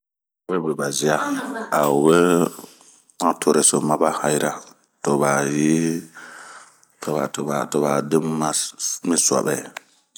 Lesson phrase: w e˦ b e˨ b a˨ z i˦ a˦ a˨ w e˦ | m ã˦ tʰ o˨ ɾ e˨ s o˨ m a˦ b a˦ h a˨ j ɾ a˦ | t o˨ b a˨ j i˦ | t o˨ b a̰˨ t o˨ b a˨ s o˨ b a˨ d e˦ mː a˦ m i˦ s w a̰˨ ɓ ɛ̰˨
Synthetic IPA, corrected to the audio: w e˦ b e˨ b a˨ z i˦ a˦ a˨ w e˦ | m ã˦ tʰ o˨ ɾ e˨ s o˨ m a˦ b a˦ h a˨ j ɾ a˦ | t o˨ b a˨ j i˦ | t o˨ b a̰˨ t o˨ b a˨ t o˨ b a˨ d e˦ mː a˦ m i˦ s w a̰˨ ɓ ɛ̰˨